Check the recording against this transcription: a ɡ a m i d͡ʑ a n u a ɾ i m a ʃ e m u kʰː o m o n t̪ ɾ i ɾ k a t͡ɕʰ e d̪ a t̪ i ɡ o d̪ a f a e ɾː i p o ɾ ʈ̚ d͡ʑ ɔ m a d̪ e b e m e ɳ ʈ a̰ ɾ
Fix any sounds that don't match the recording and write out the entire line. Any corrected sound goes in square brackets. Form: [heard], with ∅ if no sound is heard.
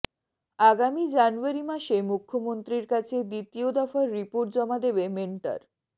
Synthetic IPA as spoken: a ɡ a m i d͡ʑ a n u a ɾ i m a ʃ e m u kʰː o m o n t̪ ɾ i ɾ k a t͡ɕʰ e d̪ [i] t̪ i [∅] o d̪ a f a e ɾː i p o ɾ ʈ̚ d͡ʑ ɔ m a d̪ e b e m e ɳ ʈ a̰ ɾ